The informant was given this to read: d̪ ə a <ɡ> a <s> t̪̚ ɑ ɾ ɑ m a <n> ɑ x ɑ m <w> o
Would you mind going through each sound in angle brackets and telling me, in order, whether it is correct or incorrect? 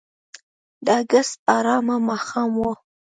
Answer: correct, correct, incorrect, correct

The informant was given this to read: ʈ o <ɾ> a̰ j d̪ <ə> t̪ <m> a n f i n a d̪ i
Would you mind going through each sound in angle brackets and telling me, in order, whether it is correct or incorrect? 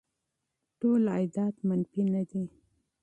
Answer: incorrect, incorrect, correct

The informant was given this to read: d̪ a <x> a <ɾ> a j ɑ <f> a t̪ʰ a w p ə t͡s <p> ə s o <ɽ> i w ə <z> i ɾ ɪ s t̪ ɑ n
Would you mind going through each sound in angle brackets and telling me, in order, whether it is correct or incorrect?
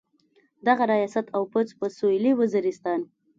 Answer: incorrect, correct, incorrect, correct, incorrect, correct

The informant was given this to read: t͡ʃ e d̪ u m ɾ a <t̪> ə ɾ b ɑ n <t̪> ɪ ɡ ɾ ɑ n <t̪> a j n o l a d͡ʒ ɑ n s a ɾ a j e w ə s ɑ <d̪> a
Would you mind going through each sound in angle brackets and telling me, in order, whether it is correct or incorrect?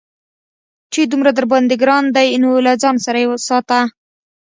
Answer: incorrect, incorrect, incorrect, incorrect

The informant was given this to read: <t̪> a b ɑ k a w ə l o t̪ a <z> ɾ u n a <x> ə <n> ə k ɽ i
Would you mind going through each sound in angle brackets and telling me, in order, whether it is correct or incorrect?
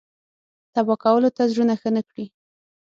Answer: correct, correct, correct, correct

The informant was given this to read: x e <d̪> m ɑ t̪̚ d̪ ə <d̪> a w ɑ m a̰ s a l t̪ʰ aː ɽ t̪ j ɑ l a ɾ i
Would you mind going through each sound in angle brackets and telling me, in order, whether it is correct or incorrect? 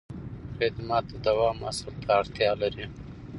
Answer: correct, correct

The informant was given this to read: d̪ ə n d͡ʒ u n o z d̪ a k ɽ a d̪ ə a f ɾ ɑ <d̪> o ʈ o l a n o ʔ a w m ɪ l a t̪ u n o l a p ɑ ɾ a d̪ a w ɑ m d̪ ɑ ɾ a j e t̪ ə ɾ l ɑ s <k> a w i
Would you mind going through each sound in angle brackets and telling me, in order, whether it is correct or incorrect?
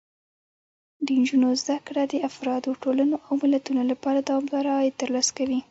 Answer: correct, correct

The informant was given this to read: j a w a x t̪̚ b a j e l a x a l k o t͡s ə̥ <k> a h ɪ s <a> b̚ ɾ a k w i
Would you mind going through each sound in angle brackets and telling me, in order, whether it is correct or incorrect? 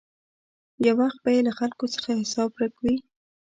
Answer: incorrect, incorrect

